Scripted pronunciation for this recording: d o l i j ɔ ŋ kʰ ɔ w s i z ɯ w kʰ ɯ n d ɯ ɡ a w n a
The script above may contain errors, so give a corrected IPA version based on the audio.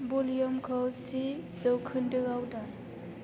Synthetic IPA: b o l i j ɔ m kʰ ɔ w s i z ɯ w kʰ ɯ n d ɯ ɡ a w d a